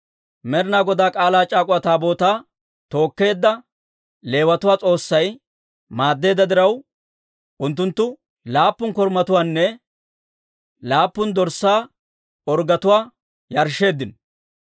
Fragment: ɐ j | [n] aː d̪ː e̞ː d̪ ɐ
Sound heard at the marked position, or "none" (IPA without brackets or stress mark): m